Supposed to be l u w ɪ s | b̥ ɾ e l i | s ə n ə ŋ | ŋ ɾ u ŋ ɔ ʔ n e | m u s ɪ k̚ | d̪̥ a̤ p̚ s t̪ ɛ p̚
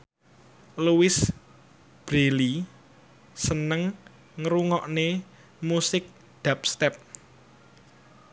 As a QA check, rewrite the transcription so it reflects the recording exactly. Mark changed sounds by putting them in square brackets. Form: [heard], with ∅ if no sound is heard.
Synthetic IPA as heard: l u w ɪ s | b̥ ɾ e l i | s ə n ə ŋ | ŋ ɾ u ŋ ɔ ʔ n e | m u s ɪ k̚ | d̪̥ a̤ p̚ s t̪ ɛ p̚